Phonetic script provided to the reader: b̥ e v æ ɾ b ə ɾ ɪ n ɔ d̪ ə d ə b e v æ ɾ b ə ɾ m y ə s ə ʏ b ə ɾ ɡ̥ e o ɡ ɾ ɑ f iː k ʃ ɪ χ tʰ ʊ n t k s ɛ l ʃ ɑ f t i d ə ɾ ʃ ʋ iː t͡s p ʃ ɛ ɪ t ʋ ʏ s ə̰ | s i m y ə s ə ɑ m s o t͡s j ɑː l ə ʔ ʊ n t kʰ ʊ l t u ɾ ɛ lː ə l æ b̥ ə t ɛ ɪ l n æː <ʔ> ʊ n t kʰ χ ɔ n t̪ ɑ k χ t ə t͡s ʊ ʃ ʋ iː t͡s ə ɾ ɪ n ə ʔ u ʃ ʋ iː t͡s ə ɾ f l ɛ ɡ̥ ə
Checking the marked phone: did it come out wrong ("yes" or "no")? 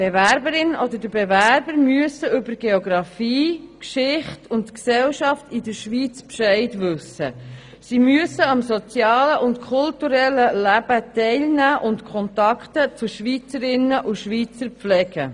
no